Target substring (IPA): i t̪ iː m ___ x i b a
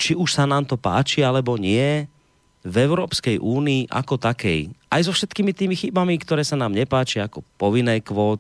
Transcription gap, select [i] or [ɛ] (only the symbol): i